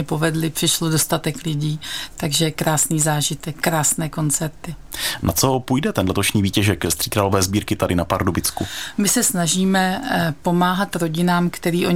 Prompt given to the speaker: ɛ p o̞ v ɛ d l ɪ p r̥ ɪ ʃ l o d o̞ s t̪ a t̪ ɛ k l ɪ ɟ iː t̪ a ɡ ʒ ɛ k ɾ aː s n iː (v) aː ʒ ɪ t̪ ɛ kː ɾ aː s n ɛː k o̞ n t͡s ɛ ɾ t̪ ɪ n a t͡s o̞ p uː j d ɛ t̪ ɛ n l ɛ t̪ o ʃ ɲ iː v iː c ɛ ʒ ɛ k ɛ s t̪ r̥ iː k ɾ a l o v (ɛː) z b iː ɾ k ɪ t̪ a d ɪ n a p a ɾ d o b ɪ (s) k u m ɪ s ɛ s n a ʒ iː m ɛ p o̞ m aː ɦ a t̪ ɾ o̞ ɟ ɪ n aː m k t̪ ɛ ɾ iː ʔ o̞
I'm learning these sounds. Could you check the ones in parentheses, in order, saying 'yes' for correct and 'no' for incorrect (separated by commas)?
no, yes, no